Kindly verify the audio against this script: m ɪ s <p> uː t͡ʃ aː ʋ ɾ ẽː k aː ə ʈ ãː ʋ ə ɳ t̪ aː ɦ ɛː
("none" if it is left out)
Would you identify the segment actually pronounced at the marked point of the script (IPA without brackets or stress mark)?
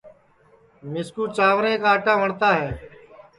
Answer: k